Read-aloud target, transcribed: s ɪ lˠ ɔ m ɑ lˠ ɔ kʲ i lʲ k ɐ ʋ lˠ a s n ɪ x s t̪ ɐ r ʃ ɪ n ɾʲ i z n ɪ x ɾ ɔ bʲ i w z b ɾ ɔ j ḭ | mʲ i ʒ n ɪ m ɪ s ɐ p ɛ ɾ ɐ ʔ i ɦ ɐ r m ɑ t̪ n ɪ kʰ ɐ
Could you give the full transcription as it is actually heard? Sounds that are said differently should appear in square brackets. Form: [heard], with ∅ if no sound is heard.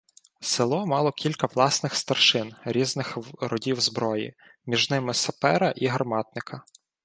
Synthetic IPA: s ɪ lˠ ɔ m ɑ lˠ ɔ kʲ i lʲ k ɐ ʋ lˠ [ɑ] s n ɪ x s t̪ ɐ r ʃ ɪ n ɾʲ i z n ɪ x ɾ ɔ [dʲ] i w z b ɾ ɔ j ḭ | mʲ i ʒ n ɪ m ɪ s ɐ p ɛ ɾ ɐ ʔ i ɦ ɐ r m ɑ t̪ n ɪ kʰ ɐ